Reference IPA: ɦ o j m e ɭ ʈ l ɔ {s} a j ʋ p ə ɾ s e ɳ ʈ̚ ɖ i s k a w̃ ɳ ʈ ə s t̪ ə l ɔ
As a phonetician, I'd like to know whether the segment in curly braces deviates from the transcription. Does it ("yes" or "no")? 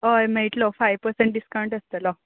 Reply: yes